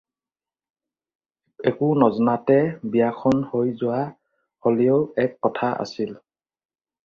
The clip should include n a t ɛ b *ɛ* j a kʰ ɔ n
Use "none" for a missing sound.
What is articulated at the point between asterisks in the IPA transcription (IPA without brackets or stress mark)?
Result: i